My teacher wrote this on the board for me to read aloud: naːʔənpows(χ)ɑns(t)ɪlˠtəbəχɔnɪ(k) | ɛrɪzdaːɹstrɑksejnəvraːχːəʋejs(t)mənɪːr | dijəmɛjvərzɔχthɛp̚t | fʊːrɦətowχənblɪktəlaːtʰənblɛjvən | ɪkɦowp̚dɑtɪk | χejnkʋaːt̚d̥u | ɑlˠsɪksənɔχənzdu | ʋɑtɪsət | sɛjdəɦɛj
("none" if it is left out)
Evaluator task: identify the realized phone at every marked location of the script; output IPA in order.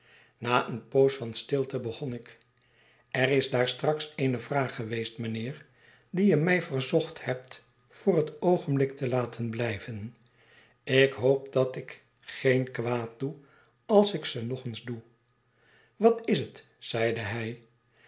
f, t, k, t

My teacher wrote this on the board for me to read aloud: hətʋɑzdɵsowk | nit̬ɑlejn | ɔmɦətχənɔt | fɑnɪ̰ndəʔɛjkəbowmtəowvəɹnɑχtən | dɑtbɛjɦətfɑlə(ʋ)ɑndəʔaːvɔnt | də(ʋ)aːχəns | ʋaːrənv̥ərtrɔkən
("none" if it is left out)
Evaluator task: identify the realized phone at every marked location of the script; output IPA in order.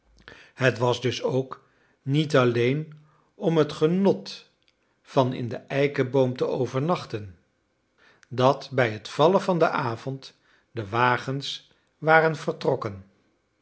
v, ʋ

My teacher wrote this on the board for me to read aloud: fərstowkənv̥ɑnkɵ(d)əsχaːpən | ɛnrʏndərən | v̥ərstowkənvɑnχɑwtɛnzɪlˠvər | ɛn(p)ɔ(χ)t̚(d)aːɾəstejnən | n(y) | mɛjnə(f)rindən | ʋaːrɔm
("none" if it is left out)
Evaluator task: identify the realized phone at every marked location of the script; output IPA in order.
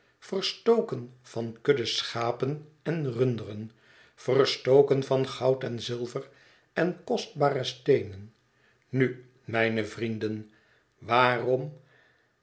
d, k, s, b, y, v

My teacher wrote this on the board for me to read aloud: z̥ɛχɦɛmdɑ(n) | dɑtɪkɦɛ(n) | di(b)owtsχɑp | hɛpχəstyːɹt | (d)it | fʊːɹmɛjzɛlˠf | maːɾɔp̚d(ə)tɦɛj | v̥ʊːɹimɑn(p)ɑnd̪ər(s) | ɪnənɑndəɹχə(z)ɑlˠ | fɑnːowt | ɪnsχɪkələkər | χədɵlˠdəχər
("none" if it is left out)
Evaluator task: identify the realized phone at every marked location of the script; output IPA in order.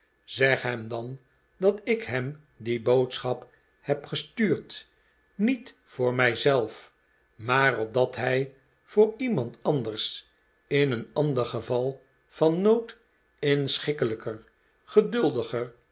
n, m, b, n, ɑ, t, s, v

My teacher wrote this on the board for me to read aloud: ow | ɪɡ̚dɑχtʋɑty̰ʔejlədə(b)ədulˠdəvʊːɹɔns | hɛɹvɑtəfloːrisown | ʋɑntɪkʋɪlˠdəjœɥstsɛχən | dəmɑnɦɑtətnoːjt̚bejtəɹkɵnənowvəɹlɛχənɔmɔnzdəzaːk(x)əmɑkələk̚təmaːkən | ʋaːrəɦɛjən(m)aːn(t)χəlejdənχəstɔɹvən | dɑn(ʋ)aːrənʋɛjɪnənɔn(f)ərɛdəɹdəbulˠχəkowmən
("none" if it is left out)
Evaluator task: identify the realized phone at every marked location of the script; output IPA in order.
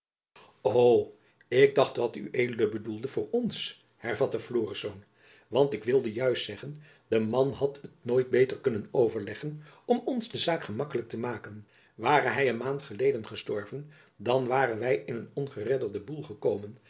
b, χ, m, t, ʋ, χ

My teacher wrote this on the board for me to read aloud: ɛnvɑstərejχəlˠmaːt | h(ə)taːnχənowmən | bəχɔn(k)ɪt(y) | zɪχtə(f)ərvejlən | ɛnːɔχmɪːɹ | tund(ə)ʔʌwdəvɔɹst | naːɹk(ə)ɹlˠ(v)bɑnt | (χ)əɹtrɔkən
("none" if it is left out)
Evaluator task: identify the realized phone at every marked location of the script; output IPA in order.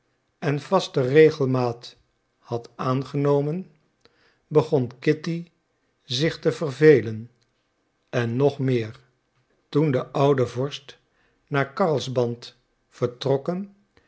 ɑ, k, i, v, ə, ɑ, z, f

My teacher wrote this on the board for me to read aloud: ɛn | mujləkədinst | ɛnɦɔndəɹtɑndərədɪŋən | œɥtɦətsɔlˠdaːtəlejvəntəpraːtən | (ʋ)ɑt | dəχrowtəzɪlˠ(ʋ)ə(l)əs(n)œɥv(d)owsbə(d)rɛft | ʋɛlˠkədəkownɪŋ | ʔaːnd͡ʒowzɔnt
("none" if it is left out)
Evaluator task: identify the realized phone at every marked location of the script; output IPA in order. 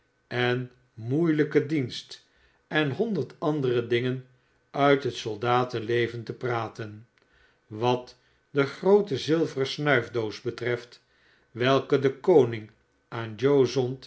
ʋ, v, r, n, d, t

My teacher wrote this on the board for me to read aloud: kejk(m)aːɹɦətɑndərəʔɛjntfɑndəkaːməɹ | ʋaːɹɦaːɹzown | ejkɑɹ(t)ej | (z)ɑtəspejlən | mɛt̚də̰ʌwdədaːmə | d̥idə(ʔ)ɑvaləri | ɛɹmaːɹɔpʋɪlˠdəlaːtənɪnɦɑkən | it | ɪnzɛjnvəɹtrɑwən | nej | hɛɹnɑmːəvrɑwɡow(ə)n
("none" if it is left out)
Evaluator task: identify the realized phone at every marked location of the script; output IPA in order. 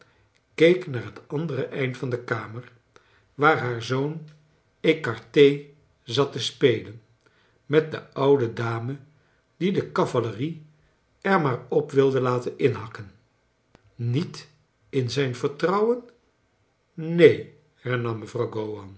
n, t, z, k, ɑ

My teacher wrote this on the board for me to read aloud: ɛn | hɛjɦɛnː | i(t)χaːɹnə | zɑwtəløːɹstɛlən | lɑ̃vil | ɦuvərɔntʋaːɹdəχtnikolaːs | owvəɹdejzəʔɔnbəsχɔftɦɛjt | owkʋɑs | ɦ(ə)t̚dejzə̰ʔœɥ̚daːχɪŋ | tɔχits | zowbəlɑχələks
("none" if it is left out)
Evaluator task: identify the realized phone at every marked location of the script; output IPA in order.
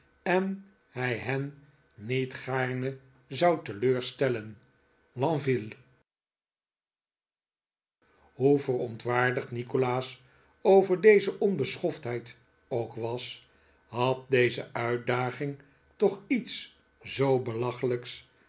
t, ɑ

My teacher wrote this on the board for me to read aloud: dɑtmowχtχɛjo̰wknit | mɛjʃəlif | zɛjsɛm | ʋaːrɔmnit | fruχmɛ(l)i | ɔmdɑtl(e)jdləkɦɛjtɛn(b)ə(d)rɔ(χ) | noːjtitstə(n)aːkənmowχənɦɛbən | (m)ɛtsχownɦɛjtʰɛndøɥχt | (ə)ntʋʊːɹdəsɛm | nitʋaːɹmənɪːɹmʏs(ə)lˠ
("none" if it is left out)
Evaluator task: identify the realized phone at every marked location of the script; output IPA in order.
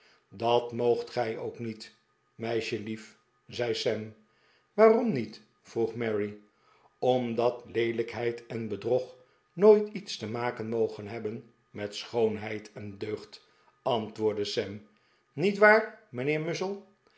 ɹ, e, b, d, χ, m, m, ɑ, ə

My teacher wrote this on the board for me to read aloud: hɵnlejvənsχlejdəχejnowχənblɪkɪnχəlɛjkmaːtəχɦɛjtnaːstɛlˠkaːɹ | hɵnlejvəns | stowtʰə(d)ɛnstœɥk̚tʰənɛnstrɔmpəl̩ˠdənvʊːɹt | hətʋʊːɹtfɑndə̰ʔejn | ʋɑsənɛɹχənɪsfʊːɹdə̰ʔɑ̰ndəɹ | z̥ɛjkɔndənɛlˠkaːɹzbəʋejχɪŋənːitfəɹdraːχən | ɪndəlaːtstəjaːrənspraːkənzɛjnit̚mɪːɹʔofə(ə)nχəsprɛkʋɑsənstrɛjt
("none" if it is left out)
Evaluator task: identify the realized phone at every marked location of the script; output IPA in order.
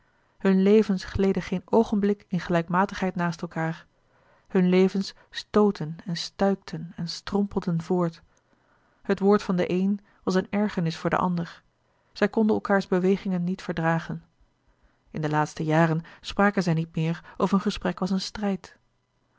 n, ə

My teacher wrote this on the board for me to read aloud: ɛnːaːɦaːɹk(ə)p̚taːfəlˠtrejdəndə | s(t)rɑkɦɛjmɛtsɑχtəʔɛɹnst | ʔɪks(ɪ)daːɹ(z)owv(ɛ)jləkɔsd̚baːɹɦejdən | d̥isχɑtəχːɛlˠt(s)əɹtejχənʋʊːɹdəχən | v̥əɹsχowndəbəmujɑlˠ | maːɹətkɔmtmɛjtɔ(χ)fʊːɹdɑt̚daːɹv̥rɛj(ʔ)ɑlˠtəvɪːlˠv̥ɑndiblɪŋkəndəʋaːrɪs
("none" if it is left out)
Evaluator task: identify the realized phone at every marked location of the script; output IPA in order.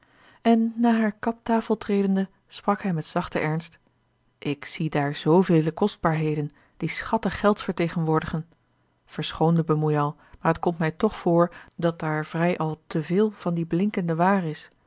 ɑ, p, i, z, e, f, χ, ʔ

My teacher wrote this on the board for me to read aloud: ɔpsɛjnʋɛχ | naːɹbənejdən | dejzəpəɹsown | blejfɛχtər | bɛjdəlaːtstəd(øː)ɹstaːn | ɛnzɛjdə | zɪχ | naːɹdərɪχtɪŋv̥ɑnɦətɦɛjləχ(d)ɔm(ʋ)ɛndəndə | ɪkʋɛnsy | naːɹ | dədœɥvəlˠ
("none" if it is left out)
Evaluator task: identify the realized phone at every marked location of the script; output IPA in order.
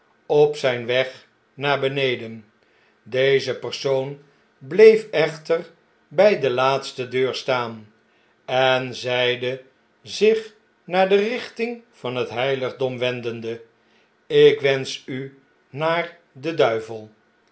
øː, d, ʋ

